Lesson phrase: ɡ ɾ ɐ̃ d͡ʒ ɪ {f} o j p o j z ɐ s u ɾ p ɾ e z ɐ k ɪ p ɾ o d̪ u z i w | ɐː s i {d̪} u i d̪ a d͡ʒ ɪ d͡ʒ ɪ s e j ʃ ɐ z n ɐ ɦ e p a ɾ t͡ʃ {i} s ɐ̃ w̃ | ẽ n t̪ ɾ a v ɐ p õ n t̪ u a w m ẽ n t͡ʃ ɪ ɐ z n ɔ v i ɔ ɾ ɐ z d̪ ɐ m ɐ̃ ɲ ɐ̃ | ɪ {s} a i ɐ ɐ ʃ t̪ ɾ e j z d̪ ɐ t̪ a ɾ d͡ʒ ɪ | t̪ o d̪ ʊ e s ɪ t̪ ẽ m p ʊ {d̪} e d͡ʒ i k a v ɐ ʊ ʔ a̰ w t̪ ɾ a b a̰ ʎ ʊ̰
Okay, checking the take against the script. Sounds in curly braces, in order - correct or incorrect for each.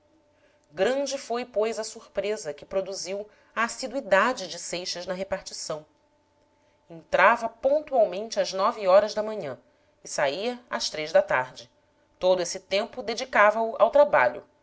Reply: correct, correct, correct, correct, correct

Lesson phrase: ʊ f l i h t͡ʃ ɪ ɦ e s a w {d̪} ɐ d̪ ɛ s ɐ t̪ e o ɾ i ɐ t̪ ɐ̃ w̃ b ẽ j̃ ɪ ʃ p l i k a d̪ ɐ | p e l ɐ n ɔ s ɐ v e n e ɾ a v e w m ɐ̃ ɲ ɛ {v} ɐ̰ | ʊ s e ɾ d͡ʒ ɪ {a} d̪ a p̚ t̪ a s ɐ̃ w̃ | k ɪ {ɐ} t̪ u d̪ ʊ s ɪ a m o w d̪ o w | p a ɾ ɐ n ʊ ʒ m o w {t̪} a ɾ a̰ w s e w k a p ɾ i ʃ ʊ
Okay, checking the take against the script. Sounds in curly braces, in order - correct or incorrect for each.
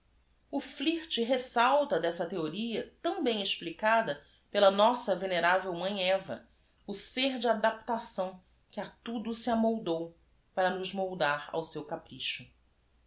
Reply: incorrect: t̪, correct, correct, incorrect: a, incorrect: d̪

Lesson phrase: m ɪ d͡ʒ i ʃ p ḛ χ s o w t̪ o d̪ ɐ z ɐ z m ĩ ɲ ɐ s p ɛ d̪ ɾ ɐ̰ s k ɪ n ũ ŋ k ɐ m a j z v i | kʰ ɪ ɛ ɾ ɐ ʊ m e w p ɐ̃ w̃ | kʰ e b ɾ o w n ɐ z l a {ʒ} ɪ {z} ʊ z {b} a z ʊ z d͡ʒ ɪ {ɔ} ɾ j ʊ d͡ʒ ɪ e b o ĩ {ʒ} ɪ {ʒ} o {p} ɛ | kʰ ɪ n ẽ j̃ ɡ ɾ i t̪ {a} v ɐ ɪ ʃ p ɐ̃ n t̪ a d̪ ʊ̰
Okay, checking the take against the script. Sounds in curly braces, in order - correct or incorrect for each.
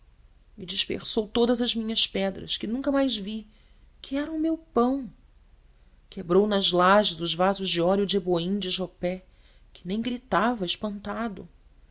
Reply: correct, correct, incorrect: v, correct, incorrect: d͡ʒ, correct, correct, correct

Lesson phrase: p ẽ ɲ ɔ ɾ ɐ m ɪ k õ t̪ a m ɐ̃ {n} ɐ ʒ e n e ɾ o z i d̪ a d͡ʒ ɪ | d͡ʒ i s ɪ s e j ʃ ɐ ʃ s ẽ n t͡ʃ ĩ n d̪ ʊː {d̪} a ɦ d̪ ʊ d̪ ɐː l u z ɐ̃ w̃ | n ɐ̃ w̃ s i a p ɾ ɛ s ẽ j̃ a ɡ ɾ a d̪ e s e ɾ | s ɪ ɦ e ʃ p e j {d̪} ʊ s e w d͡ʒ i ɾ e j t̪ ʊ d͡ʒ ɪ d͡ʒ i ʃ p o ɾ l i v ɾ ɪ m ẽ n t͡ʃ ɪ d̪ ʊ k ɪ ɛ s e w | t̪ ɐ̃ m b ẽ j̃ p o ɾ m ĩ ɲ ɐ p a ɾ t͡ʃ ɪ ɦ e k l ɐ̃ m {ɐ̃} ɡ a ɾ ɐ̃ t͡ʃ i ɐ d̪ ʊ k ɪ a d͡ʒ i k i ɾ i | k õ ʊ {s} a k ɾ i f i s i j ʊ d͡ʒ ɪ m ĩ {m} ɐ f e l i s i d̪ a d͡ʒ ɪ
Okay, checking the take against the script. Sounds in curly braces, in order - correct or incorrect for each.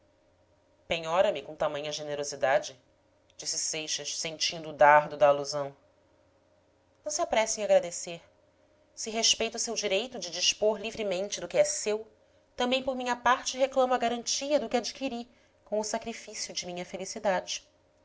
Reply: incorrect: ɲ, correct, incorrect: t̪, incorrect: ɐ, correct, incorrect: ɲ

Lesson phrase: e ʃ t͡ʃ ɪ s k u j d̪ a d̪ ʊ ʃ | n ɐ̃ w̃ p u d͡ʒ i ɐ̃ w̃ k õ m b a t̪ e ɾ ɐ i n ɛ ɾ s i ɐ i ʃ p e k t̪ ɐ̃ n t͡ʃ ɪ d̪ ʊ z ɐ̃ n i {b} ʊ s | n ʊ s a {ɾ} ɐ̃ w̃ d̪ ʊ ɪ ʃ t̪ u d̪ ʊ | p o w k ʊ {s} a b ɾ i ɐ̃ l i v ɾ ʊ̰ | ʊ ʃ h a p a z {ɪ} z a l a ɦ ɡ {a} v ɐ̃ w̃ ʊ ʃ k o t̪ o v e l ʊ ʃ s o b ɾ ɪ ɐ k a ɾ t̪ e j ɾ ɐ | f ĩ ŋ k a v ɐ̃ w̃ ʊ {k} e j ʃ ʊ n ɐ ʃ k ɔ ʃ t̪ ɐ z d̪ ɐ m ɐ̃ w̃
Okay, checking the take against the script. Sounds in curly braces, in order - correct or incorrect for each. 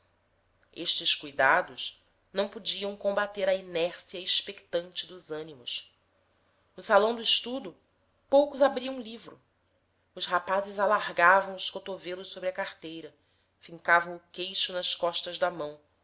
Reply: incorrect: m, incorrect: l, incorrect: z, correct, correct, correct

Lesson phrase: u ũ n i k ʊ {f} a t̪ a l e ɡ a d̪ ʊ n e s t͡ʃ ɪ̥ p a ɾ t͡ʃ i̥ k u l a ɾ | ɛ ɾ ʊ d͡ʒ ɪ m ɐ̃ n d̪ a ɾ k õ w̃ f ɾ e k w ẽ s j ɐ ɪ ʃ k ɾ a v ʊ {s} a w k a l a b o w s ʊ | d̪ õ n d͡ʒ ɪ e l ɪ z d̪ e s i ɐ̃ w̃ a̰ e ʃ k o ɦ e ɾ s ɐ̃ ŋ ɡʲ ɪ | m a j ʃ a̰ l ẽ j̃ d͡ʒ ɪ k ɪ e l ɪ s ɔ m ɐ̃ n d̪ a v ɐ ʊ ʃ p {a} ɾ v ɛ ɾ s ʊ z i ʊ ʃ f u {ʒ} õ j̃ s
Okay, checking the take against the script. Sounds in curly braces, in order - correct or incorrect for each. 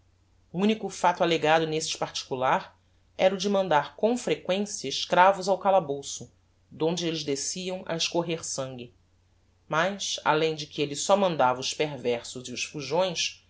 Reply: correct, incorrect: z, incorrect: e, correct

